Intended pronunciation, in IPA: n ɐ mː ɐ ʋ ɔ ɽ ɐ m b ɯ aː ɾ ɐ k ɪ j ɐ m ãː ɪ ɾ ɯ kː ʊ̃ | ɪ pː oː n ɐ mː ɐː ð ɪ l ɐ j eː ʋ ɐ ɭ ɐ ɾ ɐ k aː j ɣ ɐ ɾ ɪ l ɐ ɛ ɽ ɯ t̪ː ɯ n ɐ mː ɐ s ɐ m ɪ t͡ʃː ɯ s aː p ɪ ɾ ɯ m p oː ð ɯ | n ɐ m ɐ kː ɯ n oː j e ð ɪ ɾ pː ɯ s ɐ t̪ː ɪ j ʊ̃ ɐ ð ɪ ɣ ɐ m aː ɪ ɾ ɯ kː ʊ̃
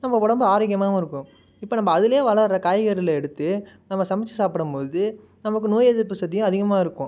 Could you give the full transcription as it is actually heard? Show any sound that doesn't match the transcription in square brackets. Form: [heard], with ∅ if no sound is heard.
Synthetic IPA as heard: n ɐ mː ɐ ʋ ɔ ɽ ɐ m b ɯ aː ɾ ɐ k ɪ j ɐ m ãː ɪ ɾ ɯ kː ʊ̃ | ɪ pː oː n ɐ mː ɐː ð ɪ l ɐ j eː ʋ ɐ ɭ ɐ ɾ ɐ k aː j ɣ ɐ ɾ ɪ l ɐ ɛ ɽ ɯ t̪ː ɯ n ɐ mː ɐ s ɐ m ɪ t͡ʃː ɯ s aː p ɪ [ɽ] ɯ m p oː ð ɯ | n ɐ m ɐ kː ɯ n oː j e ð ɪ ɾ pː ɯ s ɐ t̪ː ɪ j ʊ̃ ɐ ð ɪ ɣ ɐ m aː ɪ ɾ ɯ kː ʊ̃